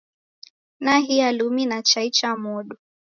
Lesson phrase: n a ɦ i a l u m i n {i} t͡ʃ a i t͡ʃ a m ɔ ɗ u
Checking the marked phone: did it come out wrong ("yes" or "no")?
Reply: yes